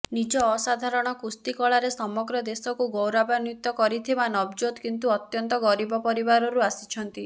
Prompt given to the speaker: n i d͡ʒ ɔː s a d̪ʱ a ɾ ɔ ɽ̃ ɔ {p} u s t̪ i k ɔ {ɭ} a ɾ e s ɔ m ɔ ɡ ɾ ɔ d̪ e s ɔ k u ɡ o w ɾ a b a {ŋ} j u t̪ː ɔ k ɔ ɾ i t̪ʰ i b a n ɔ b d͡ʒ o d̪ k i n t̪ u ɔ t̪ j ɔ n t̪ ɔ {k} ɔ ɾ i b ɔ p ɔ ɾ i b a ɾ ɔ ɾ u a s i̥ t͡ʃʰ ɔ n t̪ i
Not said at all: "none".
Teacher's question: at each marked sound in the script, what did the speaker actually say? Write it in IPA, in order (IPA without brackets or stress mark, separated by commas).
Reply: k, ɭ, n, ɡ